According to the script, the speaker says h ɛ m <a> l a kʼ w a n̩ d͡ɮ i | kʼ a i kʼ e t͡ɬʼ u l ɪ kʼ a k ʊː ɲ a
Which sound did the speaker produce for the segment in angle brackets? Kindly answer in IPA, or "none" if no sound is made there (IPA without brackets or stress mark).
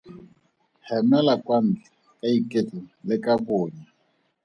ɛ